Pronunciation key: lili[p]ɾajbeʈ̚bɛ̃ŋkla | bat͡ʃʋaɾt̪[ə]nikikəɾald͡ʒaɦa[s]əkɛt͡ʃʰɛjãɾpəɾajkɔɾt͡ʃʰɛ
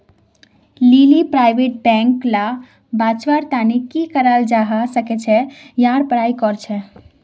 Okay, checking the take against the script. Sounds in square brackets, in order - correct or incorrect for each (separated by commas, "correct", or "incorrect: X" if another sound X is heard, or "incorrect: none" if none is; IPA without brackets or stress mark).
correct, incorrect: a, correct